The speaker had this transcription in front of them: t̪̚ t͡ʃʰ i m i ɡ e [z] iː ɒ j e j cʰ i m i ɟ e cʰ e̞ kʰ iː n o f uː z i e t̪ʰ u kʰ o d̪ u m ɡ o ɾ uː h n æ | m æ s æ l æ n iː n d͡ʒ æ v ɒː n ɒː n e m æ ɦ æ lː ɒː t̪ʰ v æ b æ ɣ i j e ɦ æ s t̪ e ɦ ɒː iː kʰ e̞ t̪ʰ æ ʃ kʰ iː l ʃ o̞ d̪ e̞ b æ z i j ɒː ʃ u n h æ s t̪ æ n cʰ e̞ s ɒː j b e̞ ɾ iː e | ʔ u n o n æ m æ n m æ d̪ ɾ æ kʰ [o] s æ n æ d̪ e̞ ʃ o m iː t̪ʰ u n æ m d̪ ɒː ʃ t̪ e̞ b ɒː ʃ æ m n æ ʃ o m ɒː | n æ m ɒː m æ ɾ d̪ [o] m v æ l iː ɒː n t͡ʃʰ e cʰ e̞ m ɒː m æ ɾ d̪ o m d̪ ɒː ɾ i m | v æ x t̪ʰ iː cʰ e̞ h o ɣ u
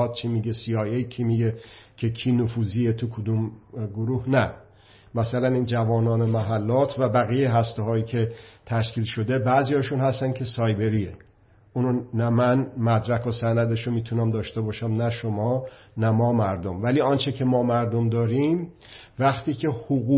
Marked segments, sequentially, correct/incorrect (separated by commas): incorrect, correct, correct